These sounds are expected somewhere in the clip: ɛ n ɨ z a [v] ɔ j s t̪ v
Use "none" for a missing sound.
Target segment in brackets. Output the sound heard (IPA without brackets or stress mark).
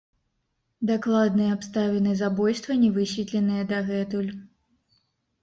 b